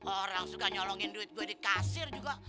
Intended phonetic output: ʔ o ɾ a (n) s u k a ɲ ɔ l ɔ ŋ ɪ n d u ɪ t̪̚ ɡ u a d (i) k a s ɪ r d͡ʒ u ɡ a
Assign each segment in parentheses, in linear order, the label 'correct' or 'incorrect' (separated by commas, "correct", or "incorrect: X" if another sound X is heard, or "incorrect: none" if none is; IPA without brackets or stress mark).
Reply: incorrect: ŋ, correct